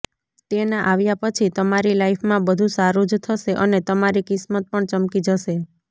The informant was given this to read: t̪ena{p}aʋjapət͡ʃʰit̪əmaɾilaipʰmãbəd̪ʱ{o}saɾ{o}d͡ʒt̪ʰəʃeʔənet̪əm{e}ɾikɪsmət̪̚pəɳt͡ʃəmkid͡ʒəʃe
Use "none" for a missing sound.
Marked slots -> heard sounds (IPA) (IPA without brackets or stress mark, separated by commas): ʔ, u, u, a